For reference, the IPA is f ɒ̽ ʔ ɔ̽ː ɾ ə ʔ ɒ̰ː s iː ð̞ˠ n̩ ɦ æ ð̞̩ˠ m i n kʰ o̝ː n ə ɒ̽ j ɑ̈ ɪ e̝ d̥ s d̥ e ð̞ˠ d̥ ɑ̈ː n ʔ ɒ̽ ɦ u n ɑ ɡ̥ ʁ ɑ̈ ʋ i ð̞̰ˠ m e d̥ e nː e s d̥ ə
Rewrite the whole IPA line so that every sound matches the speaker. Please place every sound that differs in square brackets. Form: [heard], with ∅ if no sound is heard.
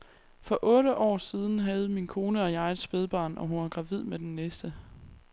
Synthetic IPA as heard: f ɒ̽ ʔ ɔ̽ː ɾ ə ʔ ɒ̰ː s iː ð̞ˠ n̩ ɦ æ ð̞̩ˠ m i n kʰ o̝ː n ə ɒ̽ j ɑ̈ ɪ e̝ d̥ s [b̥] e ð̞ˠ [b̥] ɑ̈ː n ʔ ɒ̽ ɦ u n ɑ ɡ̥ ʁ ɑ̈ ʋ i ð̞̰ˠ m e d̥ e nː e s d̥ ə